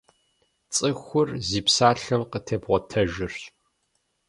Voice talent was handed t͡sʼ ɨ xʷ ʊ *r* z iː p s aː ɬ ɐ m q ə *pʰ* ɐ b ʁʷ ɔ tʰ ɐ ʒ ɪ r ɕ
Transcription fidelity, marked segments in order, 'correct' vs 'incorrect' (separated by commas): correct, incorrect